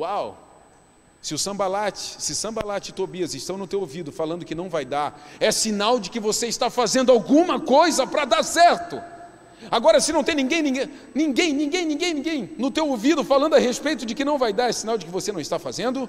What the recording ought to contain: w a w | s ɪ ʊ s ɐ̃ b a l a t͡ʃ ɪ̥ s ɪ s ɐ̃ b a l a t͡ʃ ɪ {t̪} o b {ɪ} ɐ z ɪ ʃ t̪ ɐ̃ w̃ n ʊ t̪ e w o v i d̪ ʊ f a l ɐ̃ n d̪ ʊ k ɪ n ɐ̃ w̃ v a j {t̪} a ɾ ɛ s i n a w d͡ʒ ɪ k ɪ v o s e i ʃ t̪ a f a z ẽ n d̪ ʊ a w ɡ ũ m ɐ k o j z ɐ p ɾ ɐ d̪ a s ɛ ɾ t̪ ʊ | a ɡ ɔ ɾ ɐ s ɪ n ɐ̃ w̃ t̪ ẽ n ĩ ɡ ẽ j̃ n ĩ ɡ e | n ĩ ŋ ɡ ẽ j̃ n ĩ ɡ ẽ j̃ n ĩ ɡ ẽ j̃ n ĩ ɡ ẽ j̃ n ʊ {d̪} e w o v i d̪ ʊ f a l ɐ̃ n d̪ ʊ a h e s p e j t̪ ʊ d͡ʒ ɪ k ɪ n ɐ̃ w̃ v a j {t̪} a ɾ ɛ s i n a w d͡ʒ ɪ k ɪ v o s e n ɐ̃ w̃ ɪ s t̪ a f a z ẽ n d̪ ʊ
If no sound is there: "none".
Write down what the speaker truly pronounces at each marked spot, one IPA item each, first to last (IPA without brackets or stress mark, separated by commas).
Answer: t̪, i, d̪, t̪, d̪